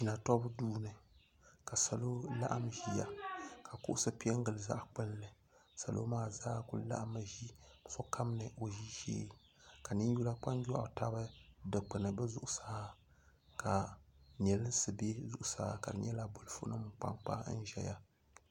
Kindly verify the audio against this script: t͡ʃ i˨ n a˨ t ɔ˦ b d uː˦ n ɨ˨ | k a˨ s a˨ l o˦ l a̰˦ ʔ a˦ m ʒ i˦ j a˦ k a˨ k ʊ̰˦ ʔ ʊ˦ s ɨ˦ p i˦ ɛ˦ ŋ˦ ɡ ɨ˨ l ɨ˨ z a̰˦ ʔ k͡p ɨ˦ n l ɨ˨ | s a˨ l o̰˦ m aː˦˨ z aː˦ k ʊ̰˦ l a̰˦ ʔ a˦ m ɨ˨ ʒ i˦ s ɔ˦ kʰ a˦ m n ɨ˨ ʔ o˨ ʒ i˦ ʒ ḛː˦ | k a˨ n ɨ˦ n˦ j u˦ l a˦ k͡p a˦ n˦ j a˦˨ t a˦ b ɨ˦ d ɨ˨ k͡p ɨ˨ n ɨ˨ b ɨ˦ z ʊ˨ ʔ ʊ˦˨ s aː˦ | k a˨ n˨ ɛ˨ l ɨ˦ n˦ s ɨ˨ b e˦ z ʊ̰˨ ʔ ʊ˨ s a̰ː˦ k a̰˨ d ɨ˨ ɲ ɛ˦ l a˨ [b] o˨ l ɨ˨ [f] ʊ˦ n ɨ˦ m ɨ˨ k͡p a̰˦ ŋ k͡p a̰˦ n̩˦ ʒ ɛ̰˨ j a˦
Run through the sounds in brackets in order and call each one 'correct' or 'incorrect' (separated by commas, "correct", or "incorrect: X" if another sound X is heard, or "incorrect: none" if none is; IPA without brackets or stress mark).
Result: correct, correct